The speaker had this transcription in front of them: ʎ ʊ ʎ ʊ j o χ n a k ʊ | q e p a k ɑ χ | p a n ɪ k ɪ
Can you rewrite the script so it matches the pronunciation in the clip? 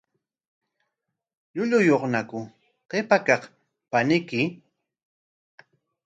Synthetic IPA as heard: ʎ ʊ ʎ ʊ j o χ n a k ʊ | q e p a k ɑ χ | p a n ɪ k ɪ